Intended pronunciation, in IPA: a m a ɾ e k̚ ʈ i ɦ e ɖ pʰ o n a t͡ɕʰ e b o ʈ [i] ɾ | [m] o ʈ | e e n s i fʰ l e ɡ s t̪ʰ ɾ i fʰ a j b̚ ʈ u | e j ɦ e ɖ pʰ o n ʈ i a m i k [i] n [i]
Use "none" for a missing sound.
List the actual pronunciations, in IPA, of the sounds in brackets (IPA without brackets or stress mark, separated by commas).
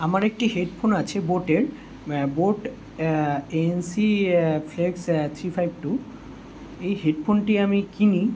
e, b, i, i